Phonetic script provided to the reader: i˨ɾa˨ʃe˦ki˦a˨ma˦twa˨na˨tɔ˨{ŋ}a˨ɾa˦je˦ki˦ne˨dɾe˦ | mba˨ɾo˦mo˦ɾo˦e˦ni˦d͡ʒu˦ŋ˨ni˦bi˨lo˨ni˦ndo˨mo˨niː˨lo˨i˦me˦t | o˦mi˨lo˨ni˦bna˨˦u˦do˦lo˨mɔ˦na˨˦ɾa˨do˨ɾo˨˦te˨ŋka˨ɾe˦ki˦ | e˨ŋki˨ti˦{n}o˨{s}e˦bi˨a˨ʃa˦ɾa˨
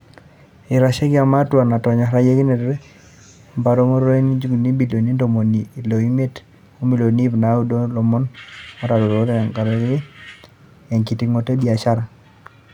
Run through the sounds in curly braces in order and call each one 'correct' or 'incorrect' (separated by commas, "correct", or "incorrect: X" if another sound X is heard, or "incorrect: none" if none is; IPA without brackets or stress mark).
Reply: incorrect: ɲ, incorrect: ŋ, incorrect: t